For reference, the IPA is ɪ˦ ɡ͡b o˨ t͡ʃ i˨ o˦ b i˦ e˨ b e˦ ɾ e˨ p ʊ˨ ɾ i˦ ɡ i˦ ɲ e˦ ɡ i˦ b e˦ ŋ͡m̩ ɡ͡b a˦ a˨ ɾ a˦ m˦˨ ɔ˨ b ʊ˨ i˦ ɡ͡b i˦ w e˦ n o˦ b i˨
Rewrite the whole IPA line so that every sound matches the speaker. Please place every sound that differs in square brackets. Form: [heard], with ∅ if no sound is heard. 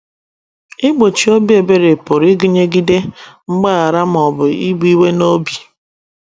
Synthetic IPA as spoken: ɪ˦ ɡ͡b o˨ t͡ʃ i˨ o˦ b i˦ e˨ b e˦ ɾ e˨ p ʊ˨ ɾ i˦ ɡ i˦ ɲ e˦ ɡ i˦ [d] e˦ ŋ͡m̩ ɡ͡b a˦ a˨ ɾ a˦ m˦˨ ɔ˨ b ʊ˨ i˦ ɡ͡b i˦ w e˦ n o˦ b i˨